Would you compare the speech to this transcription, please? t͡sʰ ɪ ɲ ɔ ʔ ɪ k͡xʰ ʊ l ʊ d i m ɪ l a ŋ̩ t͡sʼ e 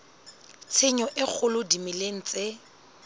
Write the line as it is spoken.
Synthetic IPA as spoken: t͡sʰ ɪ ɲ ɔ ʔ ɪ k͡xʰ ʊ l ʊ d i m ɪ l e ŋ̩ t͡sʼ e